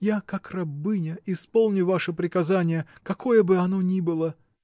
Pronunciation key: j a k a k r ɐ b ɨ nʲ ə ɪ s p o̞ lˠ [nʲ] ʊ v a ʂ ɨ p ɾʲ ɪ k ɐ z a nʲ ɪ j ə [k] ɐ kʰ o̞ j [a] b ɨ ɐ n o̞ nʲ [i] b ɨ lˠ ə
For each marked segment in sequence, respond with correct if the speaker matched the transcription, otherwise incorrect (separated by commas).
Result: correct, correct, incorrect, correct